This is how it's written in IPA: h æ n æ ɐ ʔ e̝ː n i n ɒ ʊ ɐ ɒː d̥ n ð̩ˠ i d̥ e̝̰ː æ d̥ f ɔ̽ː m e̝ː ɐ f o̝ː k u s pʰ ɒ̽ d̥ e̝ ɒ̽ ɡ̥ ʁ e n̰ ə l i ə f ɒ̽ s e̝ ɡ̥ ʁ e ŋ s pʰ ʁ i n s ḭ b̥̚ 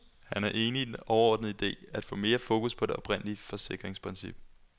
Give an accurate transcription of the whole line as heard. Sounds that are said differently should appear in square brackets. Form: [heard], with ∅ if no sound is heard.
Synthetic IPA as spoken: h æ n æ ɐ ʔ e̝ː n i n ɒ ʊ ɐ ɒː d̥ n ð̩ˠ i d̥ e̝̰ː æ d̥ f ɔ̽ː m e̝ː ɐ f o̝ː k u s pʰ ɒ̽ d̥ e̝ ɒ̽ [b̥] ʁ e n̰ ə l i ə f ɒ̽ s e̝ ɡ̥ ʁ e ŋ s pʰ ʁ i n s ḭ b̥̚